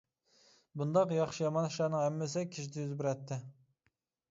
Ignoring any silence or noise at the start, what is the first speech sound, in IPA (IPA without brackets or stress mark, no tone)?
b